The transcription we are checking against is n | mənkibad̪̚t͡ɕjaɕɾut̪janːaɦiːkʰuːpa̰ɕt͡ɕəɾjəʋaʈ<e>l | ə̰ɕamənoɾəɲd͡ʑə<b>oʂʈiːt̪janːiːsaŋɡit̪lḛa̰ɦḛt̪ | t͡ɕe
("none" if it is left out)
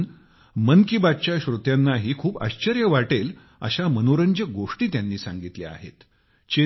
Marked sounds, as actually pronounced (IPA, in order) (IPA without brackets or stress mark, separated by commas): e, ɡ